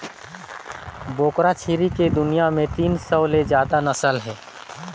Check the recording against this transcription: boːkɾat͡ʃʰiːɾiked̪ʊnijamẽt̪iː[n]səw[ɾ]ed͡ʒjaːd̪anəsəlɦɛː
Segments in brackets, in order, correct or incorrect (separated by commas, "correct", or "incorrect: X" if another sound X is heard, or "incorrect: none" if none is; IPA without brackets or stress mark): correct, incorrect: l